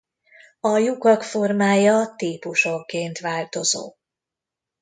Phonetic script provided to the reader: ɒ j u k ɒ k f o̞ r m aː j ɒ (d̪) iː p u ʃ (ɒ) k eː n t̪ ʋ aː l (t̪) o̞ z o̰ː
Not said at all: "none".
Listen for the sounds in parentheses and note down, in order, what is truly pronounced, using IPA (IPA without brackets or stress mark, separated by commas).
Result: t̪, o, t̪